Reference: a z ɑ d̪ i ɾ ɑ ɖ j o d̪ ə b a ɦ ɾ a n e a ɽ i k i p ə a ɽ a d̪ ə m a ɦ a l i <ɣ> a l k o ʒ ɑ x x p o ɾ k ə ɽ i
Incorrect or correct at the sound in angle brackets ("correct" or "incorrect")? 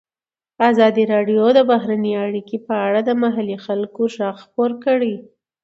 incorrect